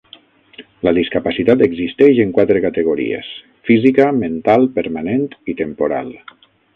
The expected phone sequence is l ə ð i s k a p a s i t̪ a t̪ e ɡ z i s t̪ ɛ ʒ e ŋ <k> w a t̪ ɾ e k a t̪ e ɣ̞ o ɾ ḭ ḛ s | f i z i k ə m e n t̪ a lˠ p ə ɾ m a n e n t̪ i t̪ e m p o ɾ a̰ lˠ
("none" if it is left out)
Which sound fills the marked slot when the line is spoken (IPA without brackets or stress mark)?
k